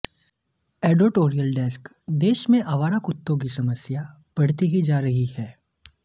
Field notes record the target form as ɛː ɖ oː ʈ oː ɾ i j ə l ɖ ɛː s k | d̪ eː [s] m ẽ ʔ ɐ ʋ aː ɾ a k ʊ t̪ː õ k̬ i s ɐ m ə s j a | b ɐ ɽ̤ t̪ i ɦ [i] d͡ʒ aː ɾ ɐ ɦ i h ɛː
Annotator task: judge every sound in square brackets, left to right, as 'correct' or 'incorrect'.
incorrect: ʃ, correct

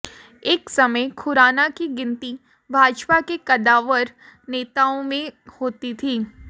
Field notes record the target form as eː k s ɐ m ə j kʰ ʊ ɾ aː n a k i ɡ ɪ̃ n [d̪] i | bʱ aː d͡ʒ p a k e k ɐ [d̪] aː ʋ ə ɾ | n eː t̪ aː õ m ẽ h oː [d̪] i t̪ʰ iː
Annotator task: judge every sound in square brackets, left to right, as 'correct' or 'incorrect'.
incorrect: t̪, correct, incorrect: t̪

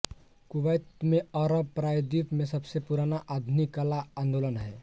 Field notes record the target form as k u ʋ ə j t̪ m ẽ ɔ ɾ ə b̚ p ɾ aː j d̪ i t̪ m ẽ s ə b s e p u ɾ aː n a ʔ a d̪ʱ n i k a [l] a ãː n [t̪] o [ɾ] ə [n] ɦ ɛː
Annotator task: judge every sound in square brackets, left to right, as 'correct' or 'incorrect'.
correct, incorrect: d̪, incorrect: l, correct

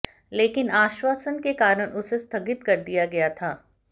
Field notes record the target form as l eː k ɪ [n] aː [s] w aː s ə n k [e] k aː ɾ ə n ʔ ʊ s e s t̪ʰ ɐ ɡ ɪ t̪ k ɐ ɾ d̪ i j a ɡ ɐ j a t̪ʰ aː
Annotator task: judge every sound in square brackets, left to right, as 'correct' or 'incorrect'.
correct, incorrect: ʃ, correct

